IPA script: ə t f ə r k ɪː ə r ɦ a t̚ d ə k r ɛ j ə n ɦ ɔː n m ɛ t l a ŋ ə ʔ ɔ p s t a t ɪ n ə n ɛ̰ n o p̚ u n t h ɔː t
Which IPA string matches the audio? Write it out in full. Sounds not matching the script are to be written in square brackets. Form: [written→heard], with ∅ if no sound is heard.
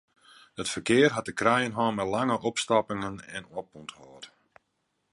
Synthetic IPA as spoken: ə t f ə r k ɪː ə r ɦ a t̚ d ə k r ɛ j ə n ɦ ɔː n m ɛ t l a ŋ ə ʔ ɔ p s t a [t→p] ɪ [n→ŋ] ə n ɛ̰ n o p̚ u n t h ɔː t